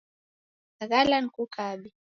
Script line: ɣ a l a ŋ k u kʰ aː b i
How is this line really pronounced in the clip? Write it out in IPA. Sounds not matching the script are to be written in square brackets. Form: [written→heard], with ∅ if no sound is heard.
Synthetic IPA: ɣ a l a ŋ k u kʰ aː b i